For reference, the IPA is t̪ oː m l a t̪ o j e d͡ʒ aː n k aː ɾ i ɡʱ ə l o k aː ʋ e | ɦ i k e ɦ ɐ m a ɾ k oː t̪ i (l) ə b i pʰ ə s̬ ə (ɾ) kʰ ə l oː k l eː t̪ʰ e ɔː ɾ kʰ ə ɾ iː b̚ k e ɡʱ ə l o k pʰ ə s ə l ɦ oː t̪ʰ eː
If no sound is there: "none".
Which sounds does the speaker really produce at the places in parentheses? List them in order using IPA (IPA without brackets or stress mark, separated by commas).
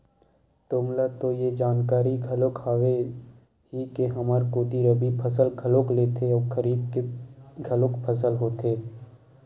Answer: ɾ, l